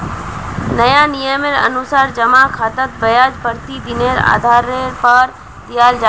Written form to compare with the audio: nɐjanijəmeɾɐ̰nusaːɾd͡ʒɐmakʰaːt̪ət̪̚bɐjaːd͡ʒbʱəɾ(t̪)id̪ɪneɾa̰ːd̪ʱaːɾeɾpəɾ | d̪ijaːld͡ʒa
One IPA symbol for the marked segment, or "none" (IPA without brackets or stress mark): t̪